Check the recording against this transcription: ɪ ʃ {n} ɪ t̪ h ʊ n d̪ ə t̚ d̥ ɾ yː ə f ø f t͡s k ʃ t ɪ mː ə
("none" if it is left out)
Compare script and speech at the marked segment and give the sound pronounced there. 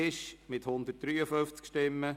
m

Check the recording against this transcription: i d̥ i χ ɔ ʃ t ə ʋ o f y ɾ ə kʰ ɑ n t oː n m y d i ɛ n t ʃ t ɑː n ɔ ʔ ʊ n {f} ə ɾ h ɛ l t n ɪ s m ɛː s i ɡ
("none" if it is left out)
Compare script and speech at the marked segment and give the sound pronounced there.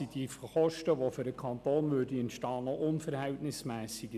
f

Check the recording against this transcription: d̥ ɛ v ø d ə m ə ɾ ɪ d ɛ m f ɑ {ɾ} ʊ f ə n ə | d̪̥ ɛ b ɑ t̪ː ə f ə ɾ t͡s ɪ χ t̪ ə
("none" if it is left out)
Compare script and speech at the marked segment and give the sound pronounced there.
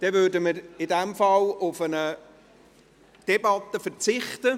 l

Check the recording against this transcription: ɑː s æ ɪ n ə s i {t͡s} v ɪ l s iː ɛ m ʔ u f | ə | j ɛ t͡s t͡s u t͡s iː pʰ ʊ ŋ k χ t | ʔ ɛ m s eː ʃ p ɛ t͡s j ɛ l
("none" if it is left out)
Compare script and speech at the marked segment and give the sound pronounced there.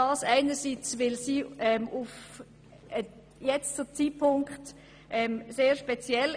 t͡s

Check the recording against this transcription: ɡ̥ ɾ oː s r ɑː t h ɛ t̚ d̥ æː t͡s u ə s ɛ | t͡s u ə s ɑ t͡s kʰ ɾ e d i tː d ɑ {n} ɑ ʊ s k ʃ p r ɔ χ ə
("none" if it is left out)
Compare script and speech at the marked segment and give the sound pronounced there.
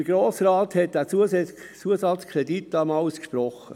m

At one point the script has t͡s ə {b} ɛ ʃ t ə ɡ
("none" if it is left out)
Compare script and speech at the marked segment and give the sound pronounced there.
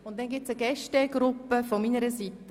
ɡ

